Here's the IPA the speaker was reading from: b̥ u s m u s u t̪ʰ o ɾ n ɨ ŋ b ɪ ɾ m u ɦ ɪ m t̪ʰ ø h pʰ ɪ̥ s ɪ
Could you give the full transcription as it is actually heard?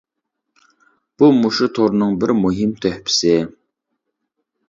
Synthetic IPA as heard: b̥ u m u ʃ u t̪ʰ o ɾ n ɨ ŋ b ɪ ɾ m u ɦ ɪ m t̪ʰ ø h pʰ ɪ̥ s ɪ